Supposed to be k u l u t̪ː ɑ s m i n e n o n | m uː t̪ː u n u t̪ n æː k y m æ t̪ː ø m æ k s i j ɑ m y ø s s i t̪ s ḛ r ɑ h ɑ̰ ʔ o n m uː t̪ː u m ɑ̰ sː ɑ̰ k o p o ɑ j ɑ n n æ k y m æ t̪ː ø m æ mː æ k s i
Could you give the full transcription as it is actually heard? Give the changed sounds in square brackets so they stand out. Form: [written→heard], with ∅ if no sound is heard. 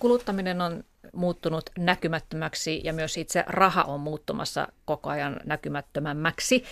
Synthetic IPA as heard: k u l u t̪ː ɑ [s→∅] m i n e n o n | m uː t̪ː u n u t̪ n [æː→æ] k y m æ t̪ː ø m æ k s i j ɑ m y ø s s i t̪ s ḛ r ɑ h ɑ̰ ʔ o [n→m] m uː t̪ː u m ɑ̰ sː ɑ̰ k o [p→k] o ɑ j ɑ n n æ k y m æ t̪ː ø m æ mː æ k s i